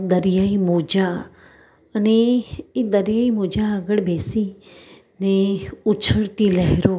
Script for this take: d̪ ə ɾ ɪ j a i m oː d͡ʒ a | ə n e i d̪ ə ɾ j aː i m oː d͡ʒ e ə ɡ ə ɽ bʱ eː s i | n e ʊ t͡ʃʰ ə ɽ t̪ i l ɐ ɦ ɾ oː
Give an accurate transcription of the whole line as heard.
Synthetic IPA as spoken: d̪ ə ɾ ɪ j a i m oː d͡ʒ a | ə n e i d̪ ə ɾ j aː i m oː d͡ʒ a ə ɡ ə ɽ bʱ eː s i | n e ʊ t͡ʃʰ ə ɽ t̪ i l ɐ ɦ ɾ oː